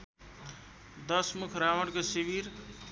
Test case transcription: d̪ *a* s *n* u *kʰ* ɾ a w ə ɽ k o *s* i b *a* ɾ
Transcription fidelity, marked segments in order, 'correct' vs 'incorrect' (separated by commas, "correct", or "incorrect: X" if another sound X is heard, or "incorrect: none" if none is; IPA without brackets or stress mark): incorrect: ʌ, incorrect: m, correct, correct, incorrect: i